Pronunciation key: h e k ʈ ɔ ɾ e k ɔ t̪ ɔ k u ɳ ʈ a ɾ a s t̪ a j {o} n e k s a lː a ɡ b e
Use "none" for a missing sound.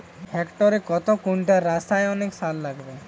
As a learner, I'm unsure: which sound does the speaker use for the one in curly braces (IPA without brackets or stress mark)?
ɔ